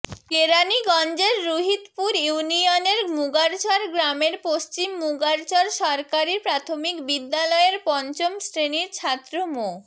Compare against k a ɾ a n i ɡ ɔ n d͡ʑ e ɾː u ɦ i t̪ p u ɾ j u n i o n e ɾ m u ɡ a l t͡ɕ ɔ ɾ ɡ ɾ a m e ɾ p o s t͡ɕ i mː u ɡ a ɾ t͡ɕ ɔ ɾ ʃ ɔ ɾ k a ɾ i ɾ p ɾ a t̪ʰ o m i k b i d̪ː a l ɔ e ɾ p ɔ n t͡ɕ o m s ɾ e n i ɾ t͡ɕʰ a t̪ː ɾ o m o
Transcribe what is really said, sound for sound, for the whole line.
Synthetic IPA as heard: k e ɾ a n i ɡ ɔ n d͡ʑ e ɾː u ɦ i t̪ p u ɾ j u n i o n e ɾ m u ɡ a ɾ t͡ɕ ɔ ɾ ɡ ɾ a m e ɾ p o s t͡ɕ i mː u ɡ a ɾ t͡ɕ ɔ ɾ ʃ ɔ ɾ k a ɾ i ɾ p ɾ a t̪ʰ o m i k b i d̪ː a l ɔ e ɾ p ɔ n t͡ɕ o m s ɾ e n i ɾ t͡ɕʰ a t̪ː ɾ o m o

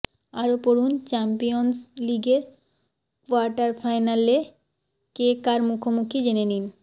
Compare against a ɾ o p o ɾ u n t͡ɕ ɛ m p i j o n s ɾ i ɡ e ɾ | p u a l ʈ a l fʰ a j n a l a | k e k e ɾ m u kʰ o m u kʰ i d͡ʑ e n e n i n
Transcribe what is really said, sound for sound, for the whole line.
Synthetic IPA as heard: a ɾ o p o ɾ u n t͡ɕ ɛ m p i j o n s l i ɡ e ɾ | k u a ɾ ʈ a ɾ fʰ a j n a l e | k e k a ɾ m u kʰ o m u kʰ i d͡ʑ e n e n i n

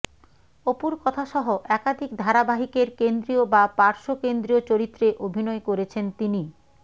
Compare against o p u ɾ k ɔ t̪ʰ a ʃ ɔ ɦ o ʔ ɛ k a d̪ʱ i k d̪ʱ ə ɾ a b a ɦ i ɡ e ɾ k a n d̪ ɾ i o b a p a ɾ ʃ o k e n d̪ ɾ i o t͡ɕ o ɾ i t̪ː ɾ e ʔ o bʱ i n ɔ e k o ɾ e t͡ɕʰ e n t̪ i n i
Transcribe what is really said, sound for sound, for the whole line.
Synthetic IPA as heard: o p u ɾ k ɔ t̪ʰ a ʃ ɔ ɦ o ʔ ɛ k a d̪ʱ i k d̪ʱ a ɾ a b a ɦ i k e ɾ k e n d̪ ɾ i o b a p a ɾ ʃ o k e n d̪ ɾ i o t͡ɕ o ɾ i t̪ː ɾ e ʔ o bʱ i n ɔ e k o ɾ e t͡ɕʰ e n t̪ i n i

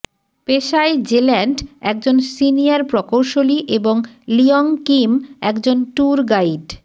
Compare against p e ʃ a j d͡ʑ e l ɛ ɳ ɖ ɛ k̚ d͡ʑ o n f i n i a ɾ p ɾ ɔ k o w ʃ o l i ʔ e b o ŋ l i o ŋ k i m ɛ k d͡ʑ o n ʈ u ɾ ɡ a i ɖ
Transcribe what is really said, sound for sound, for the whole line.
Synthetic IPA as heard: p e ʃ a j d͡ʑ e l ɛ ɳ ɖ ɛ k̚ d͡ʑ o n s i n i a ɾ p ɾ ɔ k o w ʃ o l i ʔ e b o ŋ l i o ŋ k i m ɛ k d͡ʑ o n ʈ u ɾ ɡ a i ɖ

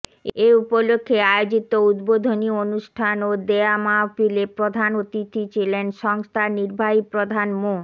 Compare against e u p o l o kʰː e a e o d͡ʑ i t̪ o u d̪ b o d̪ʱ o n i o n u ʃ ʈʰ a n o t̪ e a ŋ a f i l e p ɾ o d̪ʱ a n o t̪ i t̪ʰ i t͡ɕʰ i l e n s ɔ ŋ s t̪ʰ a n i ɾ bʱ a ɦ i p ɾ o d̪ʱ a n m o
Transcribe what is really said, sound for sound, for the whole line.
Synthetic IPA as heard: e u p o l o kʰː e a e o d͡ʑ i t̪ o u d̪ b o d̪ʱ o n i o n u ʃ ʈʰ a n o d̪ e a m a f i l e p ɾ o d̪ʱ a n o t̪ i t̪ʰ i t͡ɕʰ i l e n ʃ ɔ ŋ s t̪ʰ a n i ɾ bʱ a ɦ i p ɾ o d̪ʱ a n m o

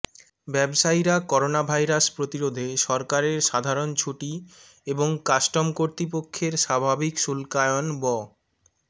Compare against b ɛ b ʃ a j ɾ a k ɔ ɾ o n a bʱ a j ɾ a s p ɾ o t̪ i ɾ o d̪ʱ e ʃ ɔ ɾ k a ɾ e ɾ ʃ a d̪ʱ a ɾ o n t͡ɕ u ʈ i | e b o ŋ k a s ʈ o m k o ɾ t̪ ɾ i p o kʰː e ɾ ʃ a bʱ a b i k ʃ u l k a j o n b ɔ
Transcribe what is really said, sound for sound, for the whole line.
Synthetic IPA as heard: b ɛ b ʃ a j ɾ a k ɔ ɾ o n a bʱ a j ɾ a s p ɾ o t̪ i ɾ o d̪ʱ e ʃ ɔ ɾ k a ɾ e ɾ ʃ a d̪ʱ a ɾ o n t͡ɕʰ u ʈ i | e b o ŋ k a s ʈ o m k o ɾ t̪ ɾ i p o kʰː e ɾ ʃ a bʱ a b i k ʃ u l k a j o n b ɔ

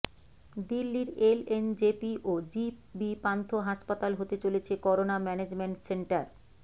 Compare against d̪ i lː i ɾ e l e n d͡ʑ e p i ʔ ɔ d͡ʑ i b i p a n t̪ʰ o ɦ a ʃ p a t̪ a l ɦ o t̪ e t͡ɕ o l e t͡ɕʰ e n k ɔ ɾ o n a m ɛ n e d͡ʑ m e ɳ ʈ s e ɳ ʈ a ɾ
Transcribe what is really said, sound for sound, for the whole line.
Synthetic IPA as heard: d̪ i lː i ɾ e l e n d͡ʑ e p i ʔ o d͡ʑ i b i p a n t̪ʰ o ɦ a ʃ p a t̪ a l ɦ o t̪ e t͡ɕ o l e t͡ɕʰ e k ɔ ɾ o n a m ɛ n e d͡ʑ m e ɳ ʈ s e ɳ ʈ a ɾ

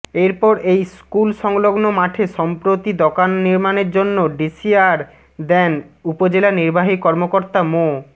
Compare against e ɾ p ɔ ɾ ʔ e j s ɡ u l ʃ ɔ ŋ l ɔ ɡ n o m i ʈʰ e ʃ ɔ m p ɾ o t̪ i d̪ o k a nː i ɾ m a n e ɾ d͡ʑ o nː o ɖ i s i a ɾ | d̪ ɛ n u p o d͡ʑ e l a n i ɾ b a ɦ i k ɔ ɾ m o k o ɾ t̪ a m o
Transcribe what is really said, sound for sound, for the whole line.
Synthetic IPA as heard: e ɾ p ɔ ɾ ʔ e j s k u l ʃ ɔ ŋ l o ɡ n o m a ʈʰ e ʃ ɔ m p ɾ o t̪ i d̪ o k a nː i ɾ m a n e ɾ d͡ʑ o nː o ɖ i s i a ɾ | d̪ ɛ n u p o d͡ʑ e l a n i ɾ b a ɦ i k ɔ ɾ m o k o ɾ t̪ a m o

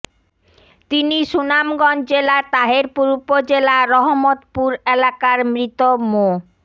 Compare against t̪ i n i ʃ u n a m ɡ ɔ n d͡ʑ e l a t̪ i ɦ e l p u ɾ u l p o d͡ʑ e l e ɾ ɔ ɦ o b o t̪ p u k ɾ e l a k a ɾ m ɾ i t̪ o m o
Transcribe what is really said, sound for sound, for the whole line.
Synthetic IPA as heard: t̪ i n i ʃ u n a m ɡ ɔ n d͡ʑ e l a t̪ a ɦ e ɾ p u ɾ u p o d͡ʑ e l a ɾ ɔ ɦ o m o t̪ p u ɾ e l a k a ɾ m ɾ i t̪ o m o

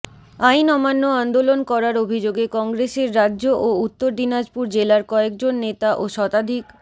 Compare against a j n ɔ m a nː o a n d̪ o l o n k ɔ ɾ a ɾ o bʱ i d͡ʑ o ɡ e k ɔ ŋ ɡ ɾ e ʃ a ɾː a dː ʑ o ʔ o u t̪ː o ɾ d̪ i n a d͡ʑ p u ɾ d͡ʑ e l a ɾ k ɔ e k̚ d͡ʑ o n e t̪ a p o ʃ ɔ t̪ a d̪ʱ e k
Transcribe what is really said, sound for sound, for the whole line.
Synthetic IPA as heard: a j n ɔ m a nː o a n d̪ o l o n k ɔ ɾ a ɾ o bʱ i d͡ʑ o ɡ e k ɔ ŋ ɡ ɾ e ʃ e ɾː a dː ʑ o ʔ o u t̪ː o ɾ d̪ i n a d͡ʑ p u ɾ d͡ʑ e l a ɾ k ɔ e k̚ d͡ʑ o nː e t̪ a ʔ o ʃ ɔ t̪ a d̪ʱ i k

